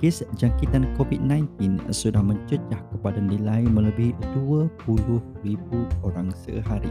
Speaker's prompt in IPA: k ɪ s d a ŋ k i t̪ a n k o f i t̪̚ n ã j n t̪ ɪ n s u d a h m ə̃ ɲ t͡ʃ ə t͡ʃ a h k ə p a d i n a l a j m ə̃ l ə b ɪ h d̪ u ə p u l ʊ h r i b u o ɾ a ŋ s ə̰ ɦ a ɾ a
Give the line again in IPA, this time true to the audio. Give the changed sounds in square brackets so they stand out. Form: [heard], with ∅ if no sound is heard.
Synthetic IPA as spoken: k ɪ s [d͡ʒ] a ŋ k i t̪ a n k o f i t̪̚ n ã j n t̪ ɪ n s u d a h m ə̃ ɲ t͡ʃ ə t͡ʃ a h k ə p a d [a] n [i] l a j m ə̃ l ə b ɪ h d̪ u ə p u l ʊ h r i b u o ɾ a ŋ s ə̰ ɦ a ɾ [i]